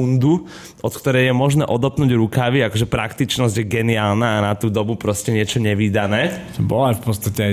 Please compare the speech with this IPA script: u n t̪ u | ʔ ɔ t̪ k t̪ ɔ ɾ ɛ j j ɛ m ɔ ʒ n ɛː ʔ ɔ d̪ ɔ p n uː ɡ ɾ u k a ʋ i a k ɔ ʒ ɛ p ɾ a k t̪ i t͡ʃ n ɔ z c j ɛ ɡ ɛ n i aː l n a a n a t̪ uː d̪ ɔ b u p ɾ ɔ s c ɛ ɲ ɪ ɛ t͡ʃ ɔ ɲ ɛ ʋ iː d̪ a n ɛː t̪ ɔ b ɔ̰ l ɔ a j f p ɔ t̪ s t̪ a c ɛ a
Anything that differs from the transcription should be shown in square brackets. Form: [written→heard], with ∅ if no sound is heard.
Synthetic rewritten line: u n [t̪→d̪] u | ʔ ɔ t̪ k t̪ ɔ ɾ ɛ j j ɛ m ɔ ʒ n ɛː ʔ ɔ d̪ ɔ p n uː [ɡ→ɟ] ɾ u k a ʋ i a k ɔ ʒ ɛ p ɾ a k t̪ i t͡ʃ n ɔ z [c→ɟ] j ɛ ɡ ɛ n i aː l n a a n a t̪ uː d̪ ɔ b u p ɾ ɔ s c ɛ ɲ ɪ ɛ t͡ʃ ɔ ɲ ɛ ʋ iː d̪ a n ɛː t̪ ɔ b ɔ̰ l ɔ a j f p ɔ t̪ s t̪ a c ɛ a